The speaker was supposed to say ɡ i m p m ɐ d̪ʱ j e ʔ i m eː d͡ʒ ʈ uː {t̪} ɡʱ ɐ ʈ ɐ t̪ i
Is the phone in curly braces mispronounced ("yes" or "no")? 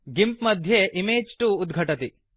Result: yes